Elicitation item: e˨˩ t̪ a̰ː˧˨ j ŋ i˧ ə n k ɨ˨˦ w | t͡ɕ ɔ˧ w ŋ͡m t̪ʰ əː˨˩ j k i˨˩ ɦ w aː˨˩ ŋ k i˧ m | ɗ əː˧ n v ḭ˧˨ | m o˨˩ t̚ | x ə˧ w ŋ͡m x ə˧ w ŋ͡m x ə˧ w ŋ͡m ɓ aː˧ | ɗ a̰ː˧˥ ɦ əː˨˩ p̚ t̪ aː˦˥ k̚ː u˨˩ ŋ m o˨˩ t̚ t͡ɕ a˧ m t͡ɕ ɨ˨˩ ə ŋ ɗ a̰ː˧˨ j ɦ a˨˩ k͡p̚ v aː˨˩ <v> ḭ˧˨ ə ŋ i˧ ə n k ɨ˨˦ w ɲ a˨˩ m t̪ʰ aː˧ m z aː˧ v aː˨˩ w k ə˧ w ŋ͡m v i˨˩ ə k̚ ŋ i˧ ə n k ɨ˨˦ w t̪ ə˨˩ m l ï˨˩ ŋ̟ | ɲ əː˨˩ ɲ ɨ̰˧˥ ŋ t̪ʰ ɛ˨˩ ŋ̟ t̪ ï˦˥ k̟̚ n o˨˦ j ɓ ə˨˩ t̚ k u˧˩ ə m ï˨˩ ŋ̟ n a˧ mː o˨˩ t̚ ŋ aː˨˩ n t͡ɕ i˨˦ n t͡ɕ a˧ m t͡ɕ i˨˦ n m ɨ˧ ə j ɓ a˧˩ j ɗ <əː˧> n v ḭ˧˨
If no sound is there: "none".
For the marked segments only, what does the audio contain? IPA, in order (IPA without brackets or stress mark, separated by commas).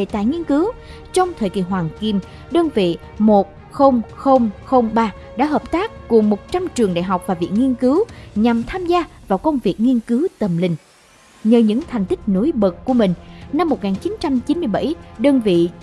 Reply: v, əː˧